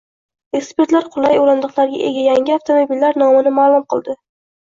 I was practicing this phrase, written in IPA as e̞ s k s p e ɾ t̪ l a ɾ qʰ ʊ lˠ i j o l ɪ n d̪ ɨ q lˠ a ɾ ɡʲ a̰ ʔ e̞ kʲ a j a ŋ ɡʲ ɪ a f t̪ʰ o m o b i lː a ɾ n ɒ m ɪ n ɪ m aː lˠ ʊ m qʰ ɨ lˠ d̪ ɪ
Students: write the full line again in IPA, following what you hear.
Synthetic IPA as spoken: e̞ k s p e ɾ t̪ l a ɾ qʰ ʊ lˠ a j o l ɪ n d̪ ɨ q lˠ a ɾ ɡʲ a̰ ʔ e̞ ɡʲ a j a ŋ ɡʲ ɪ a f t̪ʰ o m o b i lː a ɾ n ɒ m ɪ n ɪ m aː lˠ ʊ m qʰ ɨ lˠ d̪ ɪ